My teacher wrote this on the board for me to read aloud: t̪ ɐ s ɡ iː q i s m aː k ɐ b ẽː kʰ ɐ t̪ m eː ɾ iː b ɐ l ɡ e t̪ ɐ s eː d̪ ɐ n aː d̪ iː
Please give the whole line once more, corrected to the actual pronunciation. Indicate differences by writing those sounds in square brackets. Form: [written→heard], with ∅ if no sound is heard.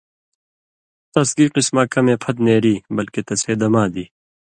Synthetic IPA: t̪ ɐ s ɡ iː q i s m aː k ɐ [b→m] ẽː [kʰ→pʰ] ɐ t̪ [m→n] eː ɾ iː b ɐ l [ɡ→k] e t̪ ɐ s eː d̪ ɐ [n→m] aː d̪ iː